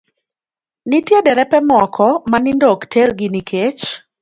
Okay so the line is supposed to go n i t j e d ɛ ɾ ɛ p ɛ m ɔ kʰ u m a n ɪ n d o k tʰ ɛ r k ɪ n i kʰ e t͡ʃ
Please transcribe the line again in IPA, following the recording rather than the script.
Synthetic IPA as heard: n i t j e d ɛ ɾ ɛ p ɛ m ɔ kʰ ɔ m a n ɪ n d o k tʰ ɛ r ɡ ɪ n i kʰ e t͡ʃ